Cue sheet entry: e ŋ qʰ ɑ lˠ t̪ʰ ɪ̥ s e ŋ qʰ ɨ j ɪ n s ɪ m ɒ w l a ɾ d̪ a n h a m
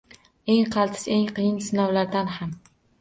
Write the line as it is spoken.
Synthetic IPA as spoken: e ŋ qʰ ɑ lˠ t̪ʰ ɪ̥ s e ŋ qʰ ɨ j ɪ n s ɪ n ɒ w l a ɾ d̪ a n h a m

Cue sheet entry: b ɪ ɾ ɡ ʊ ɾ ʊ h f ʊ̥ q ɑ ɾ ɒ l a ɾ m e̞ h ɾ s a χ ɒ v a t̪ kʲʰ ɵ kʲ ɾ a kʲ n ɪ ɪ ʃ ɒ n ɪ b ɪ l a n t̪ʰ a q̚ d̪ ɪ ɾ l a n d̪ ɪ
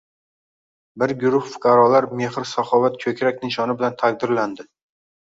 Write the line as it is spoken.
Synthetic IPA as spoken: b ɪ ɾ ɡ ʊ ɾ ʊ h f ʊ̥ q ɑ ɾ ɒ l a ɾ m e̞ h ɾ s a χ ɒ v a t̪ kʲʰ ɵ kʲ ɾ a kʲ n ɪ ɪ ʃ ɒ n ɪ b ɪ l a n t̪ʰ a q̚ d̪ ɪ ɾ l a n d̪ ɪ

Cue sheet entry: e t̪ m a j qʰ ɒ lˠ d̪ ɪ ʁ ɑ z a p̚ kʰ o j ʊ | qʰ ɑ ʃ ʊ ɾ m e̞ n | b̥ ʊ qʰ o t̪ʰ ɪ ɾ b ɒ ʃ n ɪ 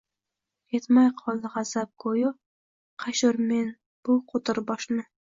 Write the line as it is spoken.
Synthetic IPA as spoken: e t̪ m a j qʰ ɒ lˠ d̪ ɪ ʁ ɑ z a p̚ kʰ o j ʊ | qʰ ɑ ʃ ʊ ɾ m e̞ n | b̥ ʊ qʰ o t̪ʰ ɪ ɾ b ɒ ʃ n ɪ

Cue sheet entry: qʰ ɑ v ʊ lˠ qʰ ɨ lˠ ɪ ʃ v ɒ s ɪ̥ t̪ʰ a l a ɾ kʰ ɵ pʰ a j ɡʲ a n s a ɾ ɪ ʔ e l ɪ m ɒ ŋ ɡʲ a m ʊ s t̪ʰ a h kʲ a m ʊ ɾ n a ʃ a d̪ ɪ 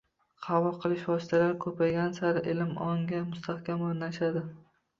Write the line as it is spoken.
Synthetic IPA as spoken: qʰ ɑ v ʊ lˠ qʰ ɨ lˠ ɪ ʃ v ɒ s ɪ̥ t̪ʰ a l a ɾ kʰ ɵ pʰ a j ɡʲ a n s a ɾ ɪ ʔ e l ɪ m ɒ ŋ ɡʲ a m ʊ s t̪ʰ a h kʲ a m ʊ ɾ n a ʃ a d̪ ɪ

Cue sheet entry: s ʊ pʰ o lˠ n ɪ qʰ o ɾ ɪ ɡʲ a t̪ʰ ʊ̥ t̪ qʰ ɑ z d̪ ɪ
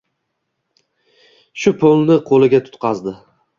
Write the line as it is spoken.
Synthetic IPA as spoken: ʃ ʊ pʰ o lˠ n ɪ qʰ o l ɪ ɡʲ a t̪ʰ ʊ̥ t̪ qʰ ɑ z d̪ ɪ

